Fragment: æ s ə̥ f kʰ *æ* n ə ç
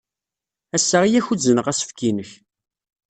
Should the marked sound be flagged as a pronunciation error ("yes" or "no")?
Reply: yes